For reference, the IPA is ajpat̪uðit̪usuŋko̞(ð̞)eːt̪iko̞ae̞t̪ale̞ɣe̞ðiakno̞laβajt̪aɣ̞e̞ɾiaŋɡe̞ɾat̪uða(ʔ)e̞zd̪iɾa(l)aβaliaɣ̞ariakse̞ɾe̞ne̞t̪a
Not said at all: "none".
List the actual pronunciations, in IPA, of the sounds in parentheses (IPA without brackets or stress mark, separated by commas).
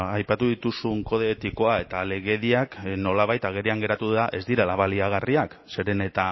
ð̞, ʔ, l